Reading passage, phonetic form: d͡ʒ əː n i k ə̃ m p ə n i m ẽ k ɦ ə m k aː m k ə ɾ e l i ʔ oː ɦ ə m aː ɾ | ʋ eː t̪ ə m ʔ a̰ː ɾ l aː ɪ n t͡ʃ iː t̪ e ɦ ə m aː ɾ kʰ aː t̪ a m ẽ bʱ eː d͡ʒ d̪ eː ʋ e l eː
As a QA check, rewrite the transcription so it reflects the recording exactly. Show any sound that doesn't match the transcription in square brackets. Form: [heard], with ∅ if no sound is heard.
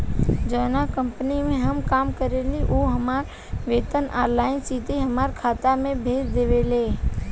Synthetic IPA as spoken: d͡ʒ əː n [a] k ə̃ m p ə n i m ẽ [∅] ɦ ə m k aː m k ə ɾ e l i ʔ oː ɦ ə m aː ɾ | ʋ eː t̪ ə [n] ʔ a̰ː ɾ l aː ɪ n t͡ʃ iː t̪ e ɦ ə m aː ɾ kʰ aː t̪ a m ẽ bʱ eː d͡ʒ d̪ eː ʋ e l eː